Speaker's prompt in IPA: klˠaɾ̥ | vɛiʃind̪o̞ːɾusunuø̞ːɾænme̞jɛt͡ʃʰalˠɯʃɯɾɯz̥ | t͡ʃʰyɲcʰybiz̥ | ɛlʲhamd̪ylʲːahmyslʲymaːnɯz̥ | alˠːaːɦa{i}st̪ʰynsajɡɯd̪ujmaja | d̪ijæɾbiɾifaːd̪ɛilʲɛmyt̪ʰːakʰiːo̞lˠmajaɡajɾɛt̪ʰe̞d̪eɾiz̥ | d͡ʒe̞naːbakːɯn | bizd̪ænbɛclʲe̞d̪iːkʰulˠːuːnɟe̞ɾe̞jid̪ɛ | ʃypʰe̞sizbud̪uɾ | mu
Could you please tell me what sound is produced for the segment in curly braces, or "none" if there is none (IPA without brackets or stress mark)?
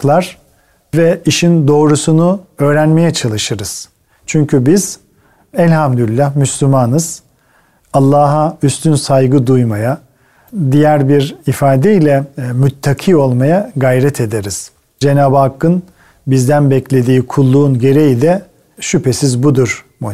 y